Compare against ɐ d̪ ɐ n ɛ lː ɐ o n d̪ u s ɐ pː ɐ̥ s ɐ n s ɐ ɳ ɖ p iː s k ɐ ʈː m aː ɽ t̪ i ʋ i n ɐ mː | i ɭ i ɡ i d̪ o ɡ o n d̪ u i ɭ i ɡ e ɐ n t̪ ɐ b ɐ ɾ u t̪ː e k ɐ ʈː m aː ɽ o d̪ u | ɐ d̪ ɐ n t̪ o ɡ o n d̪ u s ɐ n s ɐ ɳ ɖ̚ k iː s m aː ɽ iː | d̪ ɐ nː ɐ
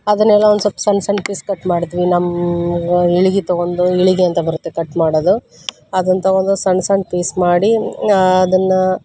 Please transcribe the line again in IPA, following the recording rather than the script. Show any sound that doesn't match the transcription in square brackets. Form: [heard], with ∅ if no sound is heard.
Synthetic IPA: ɐ d̪ ɐ n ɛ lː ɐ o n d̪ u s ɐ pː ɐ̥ s ɐ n s ɐ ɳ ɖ p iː s k ɐ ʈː m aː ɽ t̪ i ʋ i n ɐ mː | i ɭ i ɡ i [t̪] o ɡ o n d̪ u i ɭ i ɡ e ɐ n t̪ ɐ b ɐ ɾ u t̪ː e k ɐ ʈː m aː ɽ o d̪ u | ɐ d̪ ɐ n t̪ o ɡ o n d̪ u s ɐ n s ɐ ɳ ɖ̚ [p] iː s m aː ɽ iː | d̪ ɐ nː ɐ